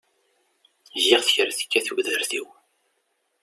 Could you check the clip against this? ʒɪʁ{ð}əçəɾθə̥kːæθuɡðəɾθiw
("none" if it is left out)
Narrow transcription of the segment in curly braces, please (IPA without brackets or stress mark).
θ